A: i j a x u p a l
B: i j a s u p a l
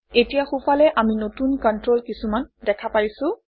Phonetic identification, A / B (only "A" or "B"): A